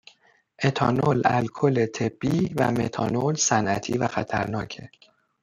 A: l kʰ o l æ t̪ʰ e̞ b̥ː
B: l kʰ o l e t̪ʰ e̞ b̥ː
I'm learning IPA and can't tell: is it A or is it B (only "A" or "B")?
B